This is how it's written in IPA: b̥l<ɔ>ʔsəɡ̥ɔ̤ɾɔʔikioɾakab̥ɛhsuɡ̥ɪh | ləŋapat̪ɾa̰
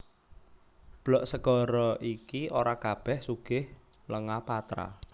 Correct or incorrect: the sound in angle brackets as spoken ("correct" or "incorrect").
correct